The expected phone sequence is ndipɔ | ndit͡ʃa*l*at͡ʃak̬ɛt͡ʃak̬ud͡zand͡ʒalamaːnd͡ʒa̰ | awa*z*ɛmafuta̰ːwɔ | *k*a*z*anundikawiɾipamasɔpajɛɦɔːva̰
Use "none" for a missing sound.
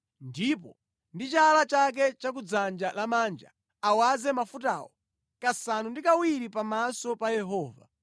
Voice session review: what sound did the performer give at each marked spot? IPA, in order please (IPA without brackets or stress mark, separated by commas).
l, z, k, s